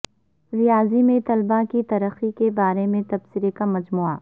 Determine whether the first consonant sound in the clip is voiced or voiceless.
voiced